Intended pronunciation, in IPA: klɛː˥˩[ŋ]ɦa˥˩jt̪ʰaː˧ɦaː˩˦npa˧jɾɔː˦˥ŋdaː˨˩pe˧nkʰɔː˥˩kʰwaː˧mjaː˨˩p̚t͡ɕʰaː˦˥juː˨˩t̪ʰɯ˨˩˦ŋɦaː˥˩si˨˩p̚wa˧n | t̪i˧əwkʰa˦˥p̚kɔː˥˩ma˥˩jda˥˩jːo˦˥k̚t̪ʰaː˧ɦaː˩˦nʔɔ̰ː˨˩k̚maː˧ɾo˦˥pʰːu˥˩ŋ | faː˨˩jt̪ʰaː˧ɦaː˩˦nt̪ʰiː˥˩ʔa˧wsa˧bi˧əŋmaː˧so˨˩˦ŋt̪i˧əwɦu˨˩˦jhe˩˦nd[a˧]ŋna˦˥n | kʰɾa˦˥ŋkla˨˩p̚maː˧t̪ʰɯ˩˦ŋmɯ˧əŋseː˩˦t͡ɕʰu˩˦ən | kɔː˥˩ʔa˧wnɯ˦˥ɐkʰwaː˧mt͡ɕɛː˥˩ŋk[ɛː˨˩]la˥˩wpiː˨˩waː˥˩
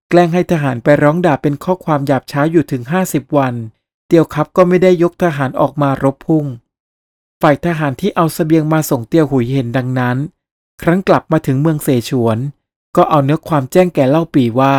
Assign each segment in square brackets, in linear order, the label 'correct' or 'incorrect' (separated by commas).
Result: correct, correct, correct